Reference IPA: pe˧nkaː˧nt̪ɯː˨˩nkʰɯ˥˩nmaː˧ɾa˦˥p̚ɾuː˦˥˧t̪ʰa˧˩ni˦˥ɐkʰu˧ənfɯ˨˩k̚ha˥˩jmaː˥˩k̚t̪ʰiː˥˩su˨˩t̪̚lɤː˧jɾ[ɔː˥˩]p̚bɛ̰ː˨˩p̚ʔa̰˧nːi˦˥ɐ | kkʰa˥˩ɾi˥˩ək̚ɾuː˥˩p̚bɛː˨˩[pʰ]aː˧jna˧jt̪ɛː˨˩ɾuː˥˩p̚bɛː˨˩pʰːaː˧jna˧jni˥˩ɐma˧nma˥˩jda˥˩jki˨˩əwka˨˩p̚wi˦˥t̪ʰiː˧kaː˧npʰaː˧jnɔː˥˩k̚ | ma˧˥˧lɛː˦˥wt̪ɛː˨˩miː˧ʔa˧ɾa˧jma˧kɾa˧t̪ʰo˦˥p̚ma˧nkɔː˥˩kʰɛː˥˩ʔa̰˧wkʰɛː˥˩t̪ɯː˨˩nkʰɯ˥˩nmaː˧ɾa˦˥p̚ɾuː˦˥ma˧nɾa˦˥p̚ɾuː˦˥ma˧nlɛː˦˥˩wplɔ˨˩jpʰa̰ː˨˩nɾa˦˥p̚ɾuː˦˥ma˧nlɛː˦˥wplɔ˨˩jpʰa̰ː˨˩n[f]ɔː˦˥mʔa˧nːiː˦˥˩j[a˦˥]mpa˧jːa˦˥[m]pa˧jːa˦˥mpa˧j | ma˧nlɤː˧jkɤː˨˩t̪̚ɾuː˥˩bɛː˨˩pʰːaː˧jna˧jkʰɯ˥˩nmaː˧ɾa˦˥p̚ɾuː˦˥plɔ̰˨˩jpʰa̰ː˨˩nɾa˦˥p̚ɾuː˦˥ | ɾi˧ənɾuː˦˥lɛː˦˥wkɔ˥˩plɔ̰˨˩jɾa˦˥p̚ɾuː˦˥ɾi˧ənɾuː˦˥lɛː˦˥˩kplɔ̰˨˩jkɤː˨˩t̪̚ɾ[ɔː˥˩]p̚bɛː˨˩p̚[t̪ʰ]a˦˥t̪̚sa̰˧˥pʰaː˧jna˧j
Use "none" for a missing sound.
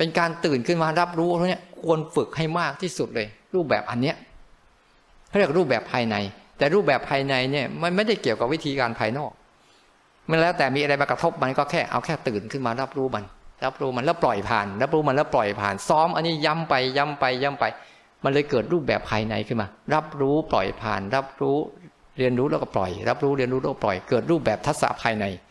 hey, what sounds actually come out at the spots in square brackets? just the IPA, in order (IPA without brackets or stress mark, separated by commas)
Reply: uː˥˩, pʰ, s, a˦˥, m, uː˥˩, t̪ʰ